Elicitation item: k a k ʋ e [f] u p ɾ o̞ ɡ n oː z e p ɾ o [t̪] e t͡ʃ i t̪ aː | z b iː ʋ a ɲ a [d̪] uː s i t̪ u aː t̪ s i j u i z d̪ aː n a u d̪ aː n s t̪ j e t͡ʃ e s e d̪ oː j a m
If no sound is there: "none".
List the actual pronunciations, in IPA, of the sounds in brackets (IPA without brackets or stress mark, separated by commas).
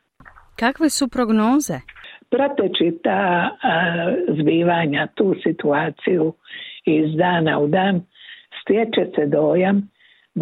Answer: s, t̪, t̪